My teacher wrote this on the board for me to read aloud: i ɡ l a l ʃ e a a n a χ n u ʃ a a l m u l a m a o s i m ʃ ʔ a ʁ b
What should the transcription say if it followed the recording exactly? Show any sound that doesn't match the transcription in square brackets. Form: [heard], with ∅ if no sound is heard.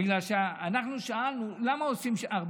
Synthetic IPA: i ɡ l a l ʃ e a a n a χ n u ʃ a a l [n] u l a m a o s i m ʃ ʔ a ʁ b